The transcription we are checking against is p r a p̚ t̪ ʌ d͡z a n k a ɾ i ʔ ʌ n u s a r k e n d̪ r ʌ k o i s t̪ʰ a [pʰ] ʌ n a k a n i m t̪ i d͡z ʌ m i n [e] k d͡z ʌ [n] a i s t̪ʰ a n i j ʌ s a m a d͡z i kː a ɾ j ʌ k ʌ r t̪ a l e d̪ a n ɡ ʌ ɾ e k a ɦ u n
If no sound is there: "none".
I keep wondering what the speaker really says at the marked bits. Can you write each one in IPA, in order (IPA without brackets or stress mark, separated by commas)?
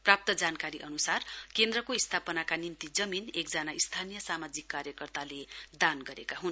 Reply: p, e, n